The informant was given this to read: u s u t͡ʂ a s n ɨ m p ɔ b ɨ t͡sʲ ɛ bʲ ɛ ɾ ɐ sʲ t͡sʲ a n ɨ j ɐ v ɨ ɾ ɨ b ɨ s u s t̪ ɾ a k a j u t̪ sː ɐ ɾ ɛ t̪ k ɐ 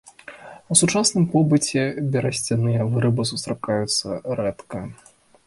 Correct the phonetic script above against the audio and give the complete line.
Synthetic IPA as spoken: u s u t͡ʂ a s n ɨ m p ɔ b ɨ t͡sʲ ɛ bʲ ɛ ɾ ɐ sʲ t͡sʲ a n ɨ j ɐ v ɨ ɾ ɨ b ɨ s u s t̪ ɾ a k a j u t̪ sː ɐ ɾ ɛ t̪ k ɐ

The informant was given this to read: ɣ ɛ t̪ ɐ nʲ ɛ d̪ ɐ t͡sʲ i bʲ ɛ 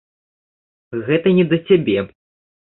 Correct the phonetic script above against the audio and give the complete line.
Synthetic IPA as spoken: ɣ ɛ t̪ ɐ nʲ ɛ d̪ ɐ t͡sʲ a bʲ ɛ

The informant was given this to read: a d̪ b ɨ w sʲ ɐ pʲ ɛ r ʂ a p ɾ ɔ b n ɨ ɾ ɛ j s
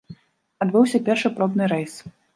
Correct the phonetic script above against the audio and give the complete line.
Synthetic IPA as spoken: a d̪ b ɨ w sʲ ɐ pʲ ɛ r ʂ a p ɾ ɔ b n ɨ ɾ ɛ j s

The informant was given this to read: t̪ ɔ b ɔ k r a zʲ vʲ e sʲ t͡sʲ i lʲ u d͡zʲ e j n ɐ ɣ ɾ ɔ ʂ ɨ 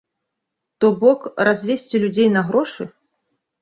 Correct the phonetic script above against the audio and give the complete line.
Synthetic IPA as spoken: t̪ ɔ b ɔ k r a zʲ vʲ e sʲ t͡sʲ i lʲ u d͡zʲ e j n ɐ ɣ ɾ ɔ ʂ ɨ

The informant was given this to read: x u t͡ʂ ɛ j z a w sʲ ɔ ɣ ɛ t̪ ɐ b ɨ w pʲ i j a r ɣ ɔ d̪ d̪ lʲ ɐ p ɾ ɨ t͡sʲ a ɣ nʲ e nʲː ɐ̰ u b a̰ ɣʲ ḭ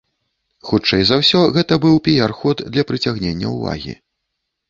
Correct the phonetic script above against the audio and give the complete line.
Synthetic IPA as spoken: x u t͡ʂ ɛ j z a w sʲ ɔ ɣ ɛ t̪ ɐ b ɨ w pʲ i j a r x ɔ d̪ d̪ lʲ ɐ p ɾ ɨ t͡sʲ a ɣ nʲ e nʲː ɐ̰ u v a̰ ɣʲ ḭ

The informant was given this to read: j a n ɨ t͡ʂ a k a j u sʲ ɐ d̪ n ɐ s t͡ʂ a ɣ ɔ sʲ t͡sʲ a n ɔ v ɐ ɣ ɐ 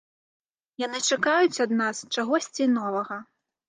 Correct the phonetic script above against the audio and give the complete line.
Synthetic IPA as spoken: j a n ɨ t͡ʂ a k a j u t͡sʲ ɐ d̪ n a s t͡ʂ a ɣ ɔ sʲ t͡sʲ i n ɔ v ɐ ɣ ɐ

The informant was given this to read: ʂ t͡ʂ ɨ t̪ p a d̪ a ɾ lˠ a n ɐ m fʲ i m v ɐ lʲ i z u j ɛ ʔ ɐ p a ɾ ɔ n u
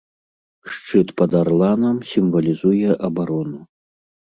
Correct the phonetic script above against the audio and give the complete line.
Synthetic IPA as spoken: ʂ t͡ʂ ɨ t̪ p ɐ d̪ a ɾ lˠ a n ɐ m sʲ i m v ɐ lʲ i z u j ɛ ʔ ɐ b a ɾ ɔ n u

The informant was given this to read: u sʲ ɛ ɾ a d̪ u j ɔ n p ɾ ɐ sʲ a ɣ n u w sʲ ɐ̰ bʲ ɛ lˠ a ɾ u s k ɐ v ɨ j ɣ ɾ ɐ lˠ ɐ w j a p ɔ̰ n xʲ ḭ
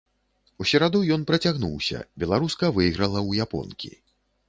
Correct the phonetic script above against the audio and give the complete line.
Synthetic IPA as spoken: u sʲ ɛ ɾ a d̪ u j ɔ n p ɾ ɐ t͡sʲ a ɣ n u w sʲ ɐ̰ bʲ ɛ lˠ a ɾ u s k ɐ v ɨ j ɣ ɾ ɐ lˠ ɐ w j a p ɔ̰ n kʲ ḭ

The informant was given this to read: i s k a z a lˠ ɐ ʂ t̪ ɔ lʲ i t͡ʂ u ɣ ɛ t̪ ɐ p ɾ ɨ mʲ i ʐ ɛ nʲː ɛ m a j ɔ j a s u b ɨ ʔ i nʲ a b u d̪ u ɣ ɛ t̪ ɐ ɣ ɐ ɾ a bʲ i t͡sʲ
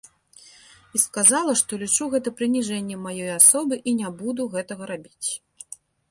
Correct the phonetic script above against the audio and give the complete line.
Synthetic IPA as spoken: i s k a z a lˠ ɐ ʂ t̪ ɔ lʲ i t͡ʂ u ɣ ɛ t̪ ɐ p ɾ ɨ nʲ i ʐ ɛ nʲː ɛ m a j ɔ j a s ɔ b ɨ ʔ i nʲ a b u d̪ u ɣ ɛ t̪ ɐ ɣ ɐ ɾ a bʲ i t͡sʲ

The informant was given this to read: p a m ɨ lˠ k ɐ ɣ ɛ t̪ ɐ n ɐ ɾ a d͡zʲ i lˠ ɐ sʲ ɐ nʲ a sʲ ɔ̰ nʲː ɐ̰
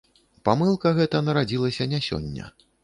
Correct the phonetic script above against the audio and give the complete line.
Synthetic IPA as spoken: p a m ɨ lˠ k ɐ ɣ ɛ t̪ ɐ n ɐ ɾ a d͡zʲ i lˠ ɐ sʲ ɐ nʲ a sʲ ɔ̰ nʲː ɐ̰

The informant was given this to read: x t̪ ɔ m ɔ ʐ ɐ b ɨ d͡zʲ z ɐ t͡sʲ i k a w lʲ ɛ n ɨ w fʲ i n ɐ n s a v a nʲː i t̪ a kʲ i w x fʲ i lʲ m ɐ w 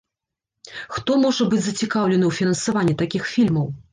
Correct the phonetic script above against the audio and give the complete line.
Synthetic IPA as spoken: x t̪ ɔ m ɔ ʐ ɐ b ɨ d͡zʲ z ɐ t͡sʲ i k a w lʲ ɛ n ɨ w fʲ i n ɐ n s a v a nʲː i t̪ a kʲ i x fʲ i lʲ m ɐ w

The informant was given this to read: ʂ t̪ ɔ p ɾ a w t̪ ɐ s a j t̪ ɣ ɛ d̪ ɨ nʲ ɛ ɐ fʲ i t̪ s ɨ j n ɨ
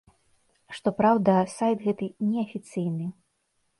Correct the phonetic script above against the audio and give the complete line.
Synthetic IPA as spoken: ʂ t̪ ɔ p ɾ a w d̪ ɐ s a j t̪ ɣ ɛ t̪ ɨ nʲ ɛ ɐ fʲ i t̪ s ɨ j n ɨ

